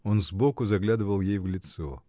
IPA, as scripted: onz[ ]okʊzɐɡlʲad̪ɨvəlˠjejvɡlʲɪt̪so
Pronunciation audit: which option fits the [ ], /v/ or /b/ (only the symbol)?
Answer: b